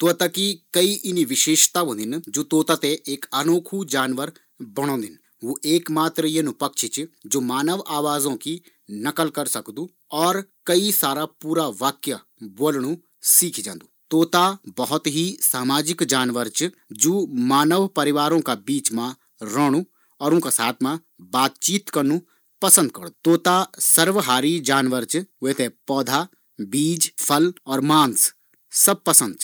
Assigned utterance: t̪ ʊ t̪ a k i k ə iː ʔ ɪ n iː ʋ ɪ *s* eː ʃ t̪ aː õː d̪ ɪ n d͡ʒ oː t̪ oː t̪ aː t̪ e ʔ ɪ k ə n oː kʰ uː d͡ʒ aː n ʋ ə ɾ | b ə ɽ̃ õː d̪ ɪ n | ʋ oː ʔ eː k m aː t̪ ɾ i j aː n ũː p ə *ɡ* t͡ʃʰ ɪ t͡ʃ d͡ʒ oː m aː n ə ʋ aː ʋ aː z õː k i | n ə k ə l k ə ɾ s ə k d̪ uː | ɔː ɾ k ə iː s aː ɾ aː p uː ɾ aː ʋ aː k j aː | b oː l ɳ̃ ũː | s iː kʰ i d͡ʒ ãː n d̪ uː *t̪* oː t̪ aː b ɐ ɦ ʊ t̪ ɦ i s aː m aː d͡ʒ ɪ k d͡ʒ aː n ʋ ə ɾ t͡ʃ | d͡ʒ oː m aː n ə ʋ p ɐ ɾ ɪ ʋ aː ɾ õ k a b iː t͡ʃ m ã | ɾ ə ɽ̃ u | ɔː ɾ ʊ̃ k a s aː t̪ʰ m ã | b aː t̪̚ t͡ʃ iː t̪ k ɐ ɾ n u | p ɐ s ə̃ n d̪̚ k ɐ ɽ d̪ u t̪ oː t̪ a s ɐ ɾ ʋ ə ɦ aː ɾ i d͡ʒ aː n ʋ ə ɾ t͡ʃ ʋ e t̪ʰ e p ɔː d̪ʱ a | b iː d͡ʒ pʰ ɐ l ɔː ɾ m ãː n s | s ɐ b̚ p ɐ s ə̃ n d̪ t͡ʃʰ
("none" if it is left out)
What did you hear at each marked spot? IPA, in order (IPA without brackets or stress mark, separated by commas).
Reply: ʃ, k, t̪